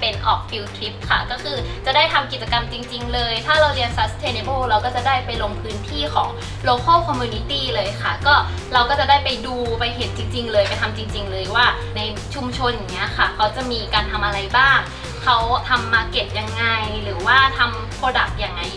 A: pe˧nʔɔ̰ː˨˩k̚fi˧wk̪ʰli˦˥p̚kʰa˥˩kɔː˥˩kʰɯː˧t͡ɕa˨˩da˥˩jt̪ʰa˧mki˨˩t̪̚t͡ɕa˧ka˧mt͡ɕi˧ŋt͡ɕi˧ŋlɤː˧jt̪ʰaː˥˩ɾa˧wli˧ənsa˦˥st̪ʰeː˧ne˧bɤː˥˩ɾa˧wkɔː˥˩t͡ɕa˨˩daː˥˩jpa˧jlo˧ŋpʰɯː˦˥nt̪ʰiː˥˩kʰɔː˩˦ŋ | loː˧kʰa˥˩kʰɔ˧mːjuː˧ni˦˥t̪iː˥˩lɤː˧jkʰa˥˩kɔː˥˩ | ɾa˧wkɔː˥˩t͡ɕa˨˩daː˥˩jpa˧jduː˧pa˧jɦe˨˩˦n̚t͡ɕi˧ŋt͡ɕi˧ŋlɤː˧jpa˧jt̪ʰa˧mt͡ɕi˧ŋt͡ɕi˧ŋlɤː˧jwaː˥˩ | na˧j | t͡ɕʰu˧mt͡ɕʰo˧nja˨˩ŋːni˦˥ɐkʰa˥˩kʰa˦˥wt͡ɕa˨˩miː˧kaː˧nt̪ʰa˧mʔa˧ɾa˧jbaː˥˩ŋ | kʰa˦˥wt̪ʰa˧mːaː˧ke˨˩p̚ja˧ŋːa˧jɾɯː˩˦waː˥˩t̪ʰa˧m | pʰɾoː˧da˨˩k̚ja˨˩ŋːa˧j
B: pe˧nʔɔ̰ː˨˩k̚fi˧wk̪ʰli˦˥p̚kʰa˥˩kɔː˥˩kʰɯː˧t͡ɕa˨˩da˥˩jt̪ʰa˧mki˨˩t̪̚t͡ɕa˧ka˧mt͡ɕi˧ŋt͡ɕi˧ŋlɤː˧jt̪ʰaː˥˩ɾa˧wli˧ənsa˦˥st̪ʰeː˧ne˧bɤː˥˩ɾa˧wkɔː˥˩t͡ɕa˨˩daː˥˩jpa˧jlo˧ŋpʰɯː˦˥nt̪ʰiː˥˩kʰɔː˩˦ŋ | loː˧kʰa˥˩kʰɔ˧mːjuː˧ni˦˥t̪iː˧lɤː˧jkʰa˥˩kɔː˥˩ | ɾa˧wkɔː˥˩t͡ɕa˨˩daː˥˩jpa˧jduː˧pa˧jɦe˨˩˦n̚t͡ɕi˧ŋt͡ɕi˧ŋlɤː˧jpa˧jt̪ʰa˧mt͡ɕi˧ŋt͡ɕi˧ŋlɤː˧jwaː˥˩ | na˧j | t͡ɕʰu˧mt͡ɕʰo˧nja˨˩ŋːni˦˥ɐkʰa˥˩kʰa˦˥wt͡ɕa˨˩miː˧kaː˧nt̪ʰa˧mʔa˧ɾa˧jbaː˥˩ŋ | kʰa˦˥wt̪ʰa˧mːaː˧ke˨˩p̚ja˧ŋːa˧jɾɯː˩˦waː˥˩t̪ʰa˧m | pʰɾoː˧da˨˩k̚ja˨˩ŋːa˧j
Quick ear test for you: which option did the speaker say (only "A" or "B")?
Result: A